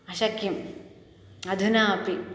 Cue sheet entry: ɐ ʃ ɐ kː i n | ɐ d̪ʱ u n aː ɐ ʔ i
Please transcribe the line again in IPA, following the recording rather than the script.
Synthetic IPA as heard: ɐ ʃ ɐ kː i m | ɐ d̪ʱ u n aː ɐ p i